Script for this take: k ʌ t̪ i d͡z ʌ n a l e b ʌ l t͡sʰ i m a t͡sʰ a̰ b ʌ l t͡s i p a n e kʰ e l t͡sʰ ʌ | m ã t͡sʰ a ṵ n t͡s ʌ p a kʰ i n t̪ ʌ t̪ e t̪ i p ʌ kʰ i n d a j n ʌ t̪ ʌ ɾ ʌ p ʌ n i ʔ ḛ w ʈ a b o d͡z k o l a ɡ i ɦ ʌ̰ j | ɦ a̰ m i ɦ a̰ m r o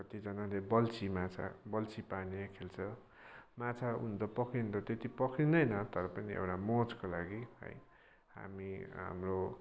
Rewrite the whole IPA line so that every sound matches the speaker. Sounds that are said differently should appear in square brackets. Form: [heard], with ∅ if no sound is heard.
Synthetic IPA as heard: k ʌ t̪ i d͡z ʌ n a l e b ʌ l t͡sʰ i m a t͡sʰ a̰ b ʌ l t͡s i p a n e kʰ e l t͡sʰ ʌ | m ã t͡sʰ a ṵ n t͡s ʌ p [ʌ] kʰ i n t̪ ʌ t̪ e t̪ i p ʌ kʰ i n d [ʌ] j n ʌ t̪ ʌ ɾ ʌ p ʌ n i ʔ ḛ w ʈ a [m] o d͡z k o l a ɡ i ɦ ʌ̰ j | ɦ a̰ m i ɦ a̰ m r o